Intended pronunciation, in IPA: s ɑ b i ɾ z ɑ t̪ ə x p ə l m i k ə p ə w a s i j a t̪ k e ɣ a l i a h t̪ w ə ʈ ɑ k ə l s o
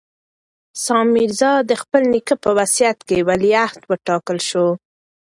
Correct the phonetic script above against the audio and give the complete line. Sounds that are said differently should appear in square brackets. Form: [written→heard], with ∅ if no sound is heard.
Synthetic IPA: s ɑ [b→m] i ɾ z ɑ [t̪→d̪] ə x p ə l [m→n] i k ə p ə w a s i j a t̪ k e [ɣ→w] a l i a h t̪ w ə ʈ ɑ k ə l [s→ʃ] o